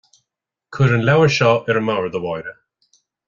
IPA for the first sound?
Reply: kʰ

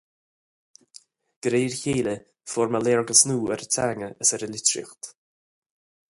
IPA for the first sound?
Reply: ɡ̥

